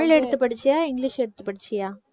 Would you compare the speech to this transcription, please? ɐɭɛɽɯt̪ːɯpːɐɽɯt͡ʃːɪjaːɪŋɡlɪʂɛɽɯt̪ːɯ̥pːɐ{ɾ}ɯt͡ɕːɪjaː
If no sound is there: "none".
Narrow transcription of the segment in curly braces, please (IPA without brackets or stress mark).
ɽ